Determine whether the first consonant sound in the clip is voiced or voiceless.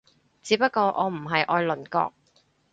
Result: voiceless